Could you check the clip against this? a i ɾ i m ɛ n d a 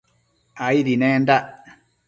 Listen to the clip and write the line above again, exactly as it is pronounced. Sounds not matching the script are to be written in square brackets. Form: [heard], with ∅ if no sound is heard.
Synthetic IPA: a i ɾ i [n] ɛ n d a